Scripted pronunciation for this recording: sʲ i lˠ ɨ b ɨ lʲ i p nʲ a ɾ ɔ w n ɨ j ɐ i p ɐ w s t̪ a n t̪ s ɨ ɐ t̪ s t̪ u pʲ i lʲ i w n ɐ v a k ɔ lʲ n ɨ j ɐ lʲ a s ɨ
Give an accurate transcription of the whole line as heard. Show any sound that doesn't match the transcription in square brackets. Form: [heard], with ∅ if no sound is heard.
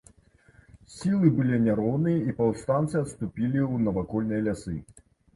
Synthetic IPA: sʲ i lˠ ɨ b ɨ lʲ i [∅] nʲ a ɾ ɔ w n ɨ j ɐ i p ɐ w s t̪ a n t̪ s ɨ ɐ t̪ s t̪ u pʲ i lʲ i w n ɐ v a k ɔ lʲ n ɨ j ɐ lʲ a s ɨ